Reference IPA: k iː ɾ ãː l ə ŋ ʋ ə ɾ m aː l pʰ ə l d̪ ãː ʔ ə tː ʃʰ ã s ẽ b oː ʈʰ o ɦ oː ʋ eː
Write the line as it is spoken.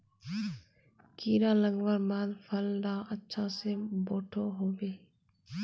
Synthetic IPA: k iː ɾ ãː l ə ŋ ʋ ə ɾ m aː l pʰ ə l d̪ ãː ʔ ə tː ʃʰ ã s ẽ b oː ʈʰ o ɦ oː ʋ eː